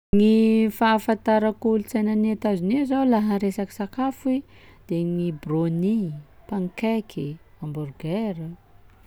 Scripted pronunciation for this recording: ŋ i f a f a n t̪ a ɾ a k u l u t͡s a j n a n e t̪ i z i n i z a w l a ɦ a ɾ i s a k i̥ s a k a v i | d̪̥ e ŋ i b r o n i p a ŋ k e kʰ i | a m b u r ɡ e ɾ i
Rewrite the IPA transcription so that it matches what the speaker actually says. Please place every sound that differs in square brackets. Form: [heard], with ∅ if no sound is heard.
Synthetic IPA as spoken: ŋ i f a f a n t̪ a ɾ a k u l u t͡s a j n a n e t̪ [a] z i n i z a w l a ɦ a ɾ [e] s a k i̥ s a k a [f] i | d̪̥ e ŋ i b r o n i p a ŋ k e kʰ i | a m b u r ɡ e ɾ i